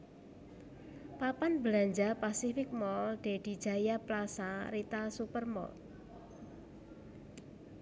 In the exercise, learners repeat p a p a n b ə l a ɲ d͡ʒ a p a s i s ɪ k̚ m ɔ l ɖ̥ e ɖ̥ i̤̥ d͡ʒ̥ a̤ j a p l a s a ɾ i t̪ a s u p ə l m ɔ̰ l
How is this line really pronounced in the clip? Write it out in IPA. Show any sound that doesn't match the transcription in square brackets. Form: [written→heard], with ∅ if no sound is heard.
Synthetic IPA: p a p a n b ə l a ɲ d͡ʒ a p a s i [s→f] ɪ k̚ m ɔ l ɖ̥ e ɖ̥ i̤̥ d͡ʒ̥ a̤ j a p l a s a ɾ i t̪ a s u p ə [l→r] m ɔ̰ l